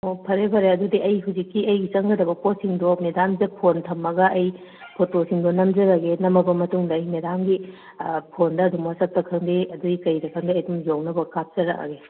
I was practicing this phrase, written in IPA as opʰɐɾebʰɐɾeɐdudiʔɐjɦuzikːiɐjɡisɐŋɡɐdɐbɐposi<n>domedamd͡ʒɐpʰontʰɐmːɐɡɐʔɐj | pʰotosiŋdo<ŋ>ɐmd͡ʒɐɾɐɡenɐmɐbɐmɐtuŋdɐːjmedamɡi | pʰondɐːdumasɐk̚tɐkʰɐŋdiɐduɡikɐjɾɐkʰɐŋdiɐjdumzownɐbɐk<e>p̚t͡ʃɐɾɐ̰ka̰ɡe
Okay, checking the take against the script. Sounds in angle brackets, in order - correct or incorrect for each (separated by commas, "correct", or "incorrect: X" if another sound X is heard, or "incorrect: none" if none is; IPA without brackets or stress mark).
incorrect: ŋ, incorrect: n, incorrect: a